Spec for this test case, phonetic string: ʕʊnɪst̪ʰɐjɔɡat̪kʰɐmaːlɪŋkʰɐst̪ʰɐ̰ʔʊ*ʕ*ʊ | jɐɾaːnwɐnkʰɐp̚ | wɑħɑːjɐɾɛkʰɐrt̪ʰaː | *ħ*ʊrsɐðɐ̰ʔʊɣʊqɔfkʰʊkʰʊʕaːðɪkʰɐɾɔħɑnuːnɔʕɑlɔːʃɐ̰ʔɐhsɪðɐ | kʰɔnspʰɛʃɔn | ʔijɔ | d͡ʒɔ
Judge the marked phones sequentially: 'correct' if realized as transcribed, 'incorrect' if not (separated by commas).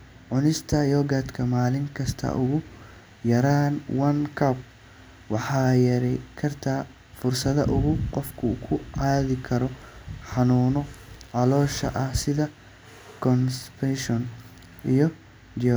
incorrect, incorrect